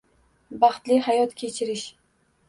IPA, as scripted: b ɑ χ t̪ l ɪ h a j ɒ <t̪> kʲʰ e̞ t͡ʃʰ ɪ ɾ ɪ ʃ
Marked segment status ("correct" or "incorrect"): correct